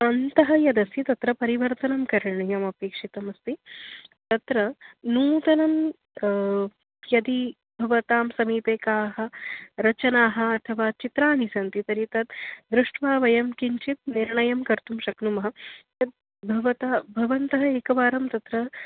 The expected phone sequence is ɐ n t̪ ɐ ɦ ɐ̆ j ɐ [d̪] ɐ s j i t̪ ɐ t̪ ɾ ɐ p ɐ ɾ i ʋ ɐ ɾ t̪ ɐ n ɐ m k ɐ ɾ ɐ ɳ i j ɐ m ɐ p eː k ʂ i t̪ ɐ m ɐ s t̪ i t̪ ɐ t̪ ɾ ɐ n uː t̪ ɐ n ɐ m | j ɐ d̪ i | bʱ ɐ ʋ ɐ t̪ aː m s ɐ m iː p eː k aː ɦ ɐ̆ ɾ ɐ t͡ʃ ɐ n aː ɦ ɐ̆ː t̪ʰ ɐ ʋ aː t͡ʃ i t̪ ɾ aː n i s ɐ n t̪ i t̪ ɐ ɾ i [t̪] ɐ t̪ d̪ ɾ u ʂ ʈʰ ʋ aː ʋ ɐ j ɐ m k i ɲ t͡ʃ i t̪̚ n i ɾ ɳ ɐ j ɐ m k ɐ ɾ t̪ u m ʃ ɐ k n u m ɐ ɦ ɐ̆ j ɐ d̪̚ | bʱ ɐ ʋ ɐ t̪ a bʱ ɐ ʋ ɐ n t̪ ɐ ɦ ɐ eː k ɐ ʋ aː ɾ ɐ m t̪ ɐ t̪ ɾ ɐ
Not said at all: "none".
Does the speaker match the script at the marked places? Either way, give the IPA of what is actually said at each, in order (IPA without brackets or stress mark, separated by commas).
d̪, t̪